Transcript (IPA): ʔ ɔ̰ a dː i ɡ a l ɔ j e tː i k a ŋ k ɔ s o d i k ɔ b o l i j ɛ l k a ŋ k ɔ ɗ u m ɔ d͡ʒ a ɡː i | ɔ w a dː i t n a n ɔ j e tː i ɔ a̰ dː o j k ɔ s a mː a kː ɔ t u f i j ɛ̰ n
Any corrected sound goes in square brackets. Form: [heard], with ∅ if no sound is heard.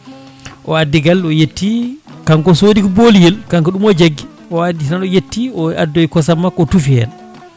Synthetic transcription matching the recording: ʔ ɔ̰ a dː i ɡ a l ɔ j e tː i k a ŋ k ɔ s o d i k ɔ b o l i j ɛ l k a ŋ k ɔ ɗ u m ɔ d͡ʒ a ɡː i | ɔ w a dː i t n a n ɔ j e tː i ɔ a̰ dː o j k ɔ s a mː a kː ɔ t u f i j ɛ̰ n